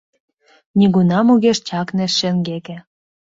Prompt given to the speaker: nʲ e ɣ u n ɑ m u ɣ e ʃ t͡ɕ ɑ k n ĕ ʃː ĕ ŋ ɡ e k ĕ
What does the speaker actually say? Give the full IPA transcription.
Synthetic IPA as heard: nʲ i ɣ u n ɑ m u ɣ e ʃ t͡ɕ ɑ k n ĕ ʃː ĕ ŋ ɡ e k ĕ